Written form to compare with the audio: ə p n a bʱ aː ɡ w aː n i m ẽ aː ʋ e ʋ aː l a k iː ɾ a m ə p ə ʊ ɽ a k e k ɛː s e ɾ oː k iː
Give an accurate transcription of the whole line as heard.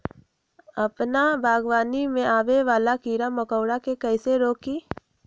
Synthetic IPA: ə p n a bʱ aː ɡ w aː n i m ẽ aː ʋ e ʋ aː l a k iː ɾ a m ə k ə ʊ ɽ a k e k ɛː s e ɾ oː k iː